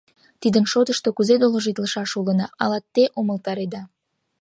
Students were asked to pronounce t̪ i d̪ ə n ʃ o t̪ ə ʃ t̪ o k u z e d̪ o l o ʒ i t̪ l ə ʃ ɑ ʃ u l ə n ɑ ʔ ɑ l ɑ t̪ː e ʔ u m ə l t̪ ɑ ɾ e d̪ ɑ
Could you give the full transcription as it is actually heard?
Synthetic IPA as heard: t̪ i d̪ ə n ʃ o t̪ ə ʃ t̪ o k u z e d̪ o l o ʒ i t̪ l ə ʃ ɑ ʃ u l ə n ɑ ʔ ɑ l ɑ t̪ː e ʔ o m ə l t̪ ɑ ɾ e d̪ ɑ